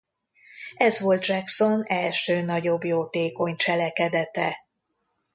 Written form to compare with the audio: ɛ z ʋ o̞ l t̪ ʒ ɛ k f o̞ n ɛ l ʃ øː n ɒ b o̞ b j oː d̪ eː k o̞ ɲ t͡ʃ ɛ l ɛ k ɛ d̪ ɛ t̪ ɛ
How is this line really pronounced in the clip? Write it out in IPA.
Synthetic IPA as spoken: ɛ z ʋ o̞ l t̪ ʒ ɛ k s o̞ n ɛ l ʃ øː n ɒ ɟ o̞ b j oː t̪ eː k o̞ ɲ t͡ʃ ɛ l ɛ k ɛ d̪ ɛ t̪ ɛ